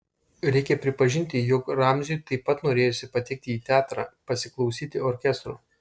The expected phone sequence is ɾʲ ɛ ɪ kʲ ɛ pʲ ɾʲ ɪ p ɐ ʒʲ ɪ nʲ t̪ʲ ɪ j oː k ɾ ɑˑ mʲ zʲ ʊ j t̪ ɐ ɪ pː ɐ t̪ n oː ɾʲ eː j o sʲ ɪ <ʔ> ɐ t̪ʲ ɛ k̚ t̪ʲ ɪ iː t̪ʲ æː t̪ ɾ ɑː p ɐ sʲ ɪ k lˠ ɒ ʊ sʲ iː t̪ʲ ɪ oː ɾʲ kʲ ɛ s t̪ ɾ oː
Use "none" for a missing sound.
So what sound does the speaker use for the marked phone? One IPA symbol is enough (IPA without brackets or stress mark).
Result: p